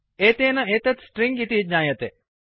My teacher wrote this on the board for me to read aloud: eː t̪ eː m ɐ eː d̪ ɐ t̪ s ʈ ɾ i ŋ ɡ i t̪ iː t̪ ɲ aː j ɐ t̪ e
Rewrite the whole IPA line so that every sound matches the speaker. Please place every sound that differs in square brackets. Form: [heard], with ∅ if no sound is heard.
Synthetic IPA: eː t̪ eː [n] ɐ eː [t̪] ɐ t̪ s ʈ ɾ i ŋ ɡ i t̪ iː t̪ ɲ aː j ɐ t̪ e

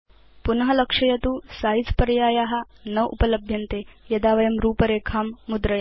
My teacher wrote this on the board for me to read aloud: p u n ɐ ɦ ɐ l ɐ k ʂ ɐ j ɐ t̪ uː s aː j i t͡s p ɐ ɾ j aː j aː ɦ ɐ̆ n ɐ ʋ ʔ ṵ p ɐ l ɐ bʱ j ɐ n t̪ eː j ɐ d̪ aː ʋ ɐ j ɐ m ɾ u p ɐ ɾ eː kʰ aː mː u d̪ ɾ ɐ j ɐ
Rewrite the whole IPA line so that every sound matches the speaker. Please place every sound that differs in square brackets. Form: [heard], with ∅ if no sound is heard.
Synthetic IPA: p u n ɐ ɦ ɐ l ɐ k ʂ ɐ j ɐ t̪ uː s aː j i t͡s p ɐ ɾ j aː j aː ɦ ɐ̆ n ɐ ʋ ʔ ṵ p ɐ l ɐ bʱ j ɐ n t̪ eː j ɐ d̪ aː ʋ ɐ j ɐ m ɾ [uː] p ɐ ɾ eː kʰ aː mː u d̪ ɾ ɐ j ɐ

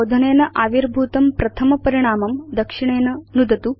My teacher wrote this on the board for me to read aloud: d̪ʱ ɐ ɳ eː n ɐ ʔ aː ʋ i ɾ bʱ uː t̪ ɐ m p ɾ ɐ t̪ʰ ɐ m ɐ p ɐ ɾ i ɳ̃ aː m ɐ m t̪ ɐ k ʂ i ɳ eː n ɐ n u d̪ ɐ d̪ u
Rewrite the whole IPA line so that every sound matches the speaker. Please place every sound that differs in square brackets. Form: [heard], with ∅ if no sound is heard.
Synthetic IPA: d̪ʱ ɐ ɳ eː n ɐ ʔ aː ʋ i ɾ bʱ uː t̪ ɐ m p ɾ ɐ t̪ʰ ɐ m ɐ p ɐ ɾ i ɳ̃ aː m ɐ m [d̪] ɐ k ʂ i ɳ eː n ɐ n u d̪ ɐ [t̪] u

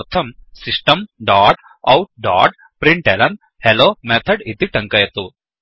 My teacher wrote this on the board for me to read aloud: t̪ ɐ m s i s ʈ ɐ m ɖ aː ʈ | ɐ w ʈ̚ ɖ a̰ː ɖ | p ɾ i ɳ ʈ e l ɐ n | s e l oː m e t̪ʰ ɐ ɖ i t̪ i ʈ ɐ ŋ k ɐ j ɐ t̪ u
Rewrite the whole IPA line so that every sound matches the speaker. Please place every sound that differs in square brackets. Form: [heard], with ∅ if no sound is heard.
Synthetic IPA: [t̪ʰ] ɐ m s i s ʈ ɐ m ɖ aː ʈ | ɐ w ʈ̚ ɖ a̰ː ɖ | p ɾ i ɳ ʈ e l ɐ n | [h] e l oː m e t̪ʰ ɐ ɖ i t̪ i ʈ ɐ ŋ k ɐ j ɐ t̪ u

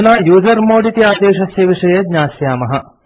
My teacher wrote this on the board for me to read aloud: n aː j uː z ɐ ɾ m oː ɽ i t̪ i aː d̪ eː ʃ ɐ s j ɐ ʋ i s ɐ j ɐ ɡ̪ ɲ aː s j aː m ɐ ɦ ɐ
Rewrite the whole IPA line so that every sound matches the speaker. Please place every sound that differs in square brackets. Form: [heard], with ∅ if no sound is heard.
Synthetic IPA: n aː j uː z ɐ ɾ m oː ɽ i t̪ i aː d̪ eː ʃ ɐ s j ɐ ʋ i [ʂ] ɐ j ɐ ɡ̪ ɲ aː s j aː m ɐ ɦ ɐ

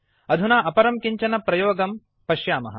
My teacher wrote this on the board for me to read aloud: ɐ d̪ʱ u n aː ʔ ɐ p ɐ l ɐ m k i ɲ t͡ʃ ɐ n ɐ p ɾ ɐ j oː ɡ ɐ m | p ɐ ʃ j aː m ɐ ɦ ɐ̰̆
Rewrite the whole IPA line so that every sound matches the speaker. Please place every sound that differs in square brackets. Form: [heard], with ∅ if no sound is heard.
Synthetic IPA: ɐ d̪ʱ u n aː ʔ ɐ p ɐ [ɾ] ɐ m k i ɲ t͡ʃ ɐ n ɐ p ɾ ɐ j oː ɡ ɐ m | p ɐ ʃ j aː m ɐ ɦ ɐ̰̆

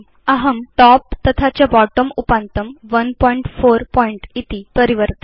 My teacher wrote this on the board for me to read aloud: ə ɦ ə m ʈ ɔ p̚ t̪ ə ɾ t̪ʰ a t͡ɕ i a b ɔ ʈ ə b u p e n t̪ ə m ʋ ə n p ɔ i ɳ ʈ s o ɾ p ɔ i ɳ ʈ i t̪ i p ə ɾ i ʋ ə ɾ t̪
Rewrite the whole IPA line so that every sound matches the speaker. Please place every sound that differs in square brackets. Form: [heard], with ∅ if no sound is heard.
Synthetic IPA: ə ɦ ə m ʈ ɔ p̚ t̪ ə [∅] t̪ʰ a t͡ɕ [j] a b ɔ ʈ ə [m] u p [a] n t̪ ə m ʋ ə n p ɔ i ɳ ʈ [f] o ɾ p ɔ i ɳ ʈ i t̪ i p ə ɾ i ʋ ə ɾ t̪

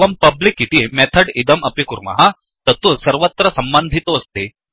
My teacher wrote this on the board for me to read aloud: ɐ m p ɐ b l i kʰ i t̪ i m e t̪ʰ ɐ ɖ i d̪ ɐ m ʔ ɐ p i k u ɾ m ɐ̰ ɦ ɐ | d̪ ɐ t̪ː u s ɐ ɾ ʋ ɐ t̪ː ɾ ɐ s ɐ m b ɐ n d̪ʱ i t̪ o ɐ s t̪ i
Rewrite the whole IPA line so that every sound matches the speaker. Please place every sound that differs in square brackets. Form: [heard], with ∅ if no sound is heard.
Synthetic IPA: ɐ m p ɐ b l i [k] i t̪ i m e t̪ʰ ɐ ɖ i d̪ ɐ m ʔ ɐ p i k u ɾ m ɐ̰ ɦ ɐ | [t̪] ɐ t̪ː u s ɐ ɾ ʋ ɐ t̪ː ɾ ɐ s ɐ m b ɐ n d̪ʱ i t̪ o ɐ s t̪ i

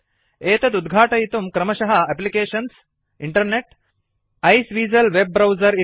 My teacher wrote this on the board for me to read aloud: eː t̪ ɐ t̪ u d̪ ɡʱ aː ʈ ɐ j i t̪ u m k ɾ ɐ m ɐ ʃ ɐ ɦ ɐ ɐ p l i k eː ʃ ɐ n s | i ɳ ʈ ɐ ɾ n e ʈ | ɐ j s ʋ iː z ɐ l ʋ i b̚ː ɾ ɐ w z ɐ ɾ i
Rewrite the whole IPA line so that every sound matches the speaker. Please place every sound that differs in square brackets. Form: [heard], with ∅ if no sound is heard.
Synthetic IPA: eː t̪ ɐ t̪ u d̪ ɡʱ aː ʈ ɐ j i t̪ u m k ɾ ɐ m ɐ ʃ ɐ ɦ ɐ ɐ p l i k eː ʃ ɐ n s | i ɳ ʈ ɐ ɾ n e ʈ | ɐ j s ʋ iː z ɐ l ʋ [e] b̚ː ɾ ɐ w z ɐ ɾ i

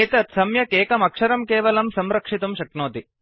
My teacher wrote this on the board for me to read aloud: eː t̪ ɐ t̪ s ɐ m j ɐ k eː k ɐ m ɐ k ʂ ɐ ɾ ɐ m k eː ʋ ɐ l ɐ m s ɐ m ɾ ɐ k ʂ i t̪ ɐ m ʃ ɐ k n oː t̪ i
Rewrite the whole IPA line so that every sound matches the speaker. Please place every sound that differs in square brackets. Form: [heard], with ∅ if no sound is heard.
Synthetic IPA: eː t̪ ɐ t̪ s ɐ m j ɐ k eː k ɐ m ɐ k ʂ ɐ ɾ ɐ m k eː ʋ ɐ l ɐ m s ɐ m ɾ ɐ k ʂ i t̪ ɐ m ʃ ɐ k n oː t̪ i

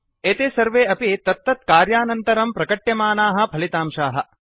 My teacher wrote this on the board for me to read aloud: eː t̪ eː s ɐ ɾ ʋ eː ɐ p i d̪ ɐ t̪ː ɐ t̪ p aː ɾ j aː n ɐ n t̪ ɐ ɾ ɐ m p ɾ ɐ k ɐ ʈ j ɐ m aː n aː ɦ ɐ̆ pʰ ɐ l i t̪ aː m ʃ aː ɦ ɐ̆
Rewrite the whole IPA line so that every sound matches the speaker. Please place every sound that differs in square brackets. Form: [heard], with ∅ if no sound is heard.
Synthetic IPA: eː t̪ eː s ɐ ɾ ʋ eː ɐ p i [t̪] ɐ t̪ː ɐ t̪ [k] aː ɾ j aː n ɐ n t̪ ɐ ɾ ɐ m p ɾ ɐ k ɐ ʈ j ɐ m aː n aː ɦ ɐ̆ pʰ ɐ l i t̪ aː m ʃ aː ɦ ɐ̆

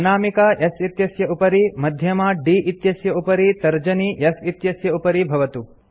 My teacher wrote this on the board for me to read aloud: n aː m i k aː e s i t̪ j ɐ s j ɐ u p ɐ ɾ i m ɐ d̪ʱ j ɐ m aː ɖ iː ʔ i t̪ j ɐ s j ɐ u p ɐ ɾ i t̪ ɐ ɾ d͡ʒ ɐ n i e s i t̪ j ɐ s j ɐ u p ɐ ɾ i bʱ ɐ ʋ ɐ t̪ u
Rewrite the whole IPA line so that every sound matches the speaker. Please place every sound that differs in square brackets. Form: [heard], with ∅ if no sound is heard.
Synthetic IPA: n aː m i k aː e s i t̪ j ɐ s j ɐ u p ɐ ɾ i m ɐ d̪ʱ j ɐ m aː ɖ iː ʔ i t̪ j ɐ s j ɐ u p ɐ ɾ i t̪ ɐ ɾ d͡ʒ ɐ n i e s i t̪ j ɐ s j ɐ u p ɐ ɾ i bʱ ɐ ʋ ɐ t̪ u

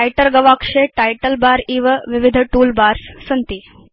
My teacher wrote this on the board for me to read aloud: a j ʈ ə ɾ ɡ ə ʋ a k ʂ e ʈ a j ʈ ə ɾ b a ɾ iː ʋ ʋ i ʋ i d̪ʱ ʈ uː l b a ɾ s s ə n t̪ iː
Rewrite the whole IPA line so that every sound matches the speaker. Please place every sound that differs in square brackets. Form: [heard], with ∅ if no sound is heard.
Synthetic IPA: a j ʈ ə ɾ ɡ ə ʋ a k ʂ e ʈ a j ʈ ə [l] b a ɾ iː ʋ ʋ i ʋ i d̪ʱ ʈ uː l b a ɾ s s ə n t̪ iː

